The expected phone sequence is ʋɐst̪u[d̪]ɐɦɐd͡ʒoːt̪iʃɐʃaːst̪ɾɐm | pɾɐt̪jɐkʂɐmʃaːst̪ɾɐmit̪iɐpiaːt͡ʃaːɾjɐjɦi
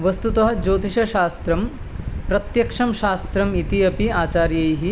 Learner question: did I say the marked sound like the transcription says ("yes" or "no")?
no